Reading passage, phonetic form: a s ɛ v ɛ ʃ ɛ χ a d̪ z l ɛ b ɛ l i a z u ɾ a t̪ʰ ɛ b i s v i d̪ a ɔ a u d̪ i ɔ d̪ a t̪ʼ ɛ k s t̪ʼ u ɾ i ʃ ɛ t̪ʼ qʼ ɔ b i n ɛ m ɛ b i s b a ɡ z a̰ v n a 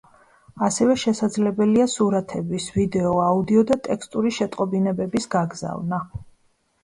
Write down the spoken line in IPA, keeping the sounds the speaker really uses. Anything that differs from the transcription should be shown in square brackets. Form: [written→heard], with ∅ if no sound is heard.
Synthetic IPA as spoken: a s ɛ v ɛ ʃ ɛ [χ→s] a d̪ z l ɛ b ɛ l i a [z→s] u ɾ a t̪ʰ ɛ b i s v i d̪ [a→ɛ] ɔ a u d̪ i ɔ d̪ a t̪ʼ ɛ k s t̪ʼ u ɾ i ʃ ɛ t̪ʼ qʼ ɔ b i n ɛ [m→b] ɛ b i s [b→ɡ] a ɡ z a̰ v n a